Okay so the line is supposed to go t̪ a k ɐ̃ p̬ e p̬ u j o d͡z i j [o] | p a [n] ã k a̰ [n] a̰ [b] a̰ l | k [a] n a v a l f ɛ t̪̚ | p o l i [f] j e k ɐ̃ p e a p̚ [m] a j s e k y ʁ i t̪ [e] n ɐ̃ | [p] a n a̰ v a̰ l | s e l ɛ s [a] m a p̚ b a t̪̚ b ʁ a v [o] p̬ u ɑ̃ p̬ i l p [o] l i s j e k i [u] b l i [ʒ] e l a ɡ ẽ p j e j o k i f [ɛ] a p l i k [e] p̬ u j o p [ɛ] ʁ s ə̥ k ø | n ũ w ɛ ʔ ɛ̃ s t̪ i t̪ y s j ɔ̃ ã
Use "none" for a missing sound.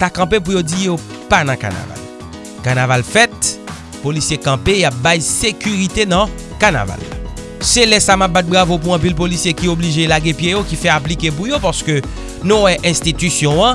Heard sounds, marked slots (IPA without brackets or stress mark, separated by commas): o, n, n, v, a, s, b, e, k, a, o, o, o, ʒ, ɛ, e, a